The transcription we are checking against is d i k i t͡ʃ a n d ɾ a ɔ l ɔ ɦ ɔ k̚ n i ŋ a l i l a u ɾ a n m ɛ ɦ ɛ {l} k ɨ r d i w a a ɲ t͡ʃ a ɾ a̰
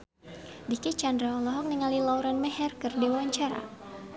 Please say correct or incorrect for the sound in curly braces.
incorrect